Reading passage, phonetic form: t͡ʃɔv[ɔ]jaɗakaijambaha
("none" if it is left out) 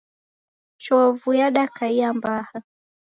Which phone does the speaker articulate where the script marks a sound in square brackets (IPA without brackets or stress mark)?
u